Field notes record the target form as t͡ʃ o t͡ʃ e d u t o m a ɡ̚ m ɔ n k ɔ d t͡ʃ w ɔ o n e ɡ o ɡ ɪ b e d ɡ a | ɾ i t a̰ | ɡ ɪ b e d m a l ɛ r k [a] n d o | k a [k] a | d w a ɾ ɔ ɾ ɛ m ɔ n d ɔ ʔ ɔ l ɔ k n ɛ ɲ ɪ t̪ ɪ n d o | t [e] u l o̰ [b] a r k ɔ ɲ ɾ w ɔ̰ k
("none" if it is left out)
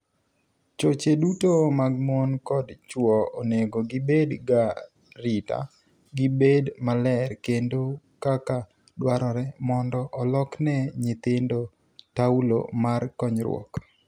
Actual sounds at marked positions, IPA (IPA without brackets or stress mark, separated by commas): e, k, a, m